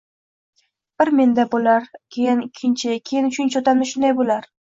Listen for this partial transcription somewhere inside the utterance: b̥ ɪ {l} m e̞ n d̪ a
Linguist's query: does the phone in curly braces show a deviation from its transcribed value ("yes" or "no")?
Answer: yes